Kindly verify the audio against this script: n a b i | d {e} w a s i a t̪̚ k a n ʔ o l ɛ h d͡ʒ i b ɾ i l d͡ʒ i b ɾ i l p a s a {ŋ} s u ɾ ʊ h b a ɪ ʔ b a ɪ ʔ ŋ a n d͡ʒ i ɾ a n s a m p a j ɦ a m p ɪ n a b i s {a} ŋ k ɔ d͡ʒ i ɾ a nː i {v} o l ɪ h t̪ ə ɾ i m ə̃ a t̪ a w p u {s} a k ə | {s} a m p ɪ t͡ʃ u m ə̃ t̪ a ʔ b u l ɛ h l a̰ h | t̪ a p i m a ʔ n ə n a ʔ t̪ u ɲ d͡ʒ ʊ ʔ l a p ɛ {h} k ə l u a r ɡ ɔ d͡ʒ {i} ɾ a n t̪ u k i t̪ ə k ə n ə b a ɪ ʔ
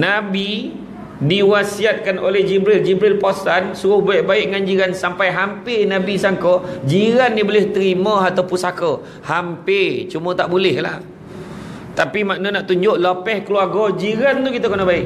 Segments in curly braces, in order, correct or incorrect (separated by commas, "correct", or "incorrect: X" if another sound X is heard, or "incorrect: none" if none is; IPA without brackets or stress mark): incorrect: i, incorrect: n, correct, incorrect: b, correct, incorrect: h, correct, correct